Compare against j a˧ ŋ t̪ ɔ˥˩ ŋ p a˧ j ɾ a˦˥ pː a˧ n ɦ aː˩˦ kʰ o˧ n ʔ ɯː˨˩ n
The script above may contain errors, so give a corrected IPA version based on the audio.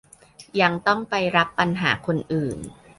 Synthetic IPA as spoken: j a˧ ŋ t̪ ɔ˥˩ ŋ p a˧ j ɾ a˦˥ pː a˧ n ɦ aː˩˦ kʰ o˧ n ʔ ɯː˨˩ n